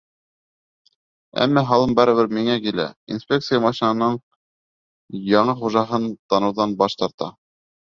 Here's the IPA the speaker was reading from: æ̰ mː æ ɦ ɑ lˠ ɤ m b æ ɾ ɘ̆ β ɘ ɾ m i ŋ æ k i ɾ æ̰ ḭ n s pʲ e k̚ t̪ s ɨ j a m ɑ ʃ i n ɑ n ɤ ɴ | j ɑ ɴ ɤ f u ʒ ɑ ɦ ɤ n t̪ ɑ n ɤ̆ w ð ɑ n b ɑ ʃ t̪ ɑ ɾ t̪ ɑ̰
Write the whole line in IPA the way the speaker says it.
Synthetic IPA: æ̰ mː æ ɦ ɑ lˠ ɤ m b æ ɾ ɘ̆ β ɘ ɾ m i ŋ æ k i l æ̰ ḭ n s pʲ e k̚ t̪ s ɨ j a m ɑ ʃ i n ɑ n ɤ ɴ | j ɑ ɴ ɤ χ u ʒ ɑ ɦ ɤ n t̪ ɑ n ɤ̆ w ð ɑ n b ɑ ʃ t̪ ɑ ɾ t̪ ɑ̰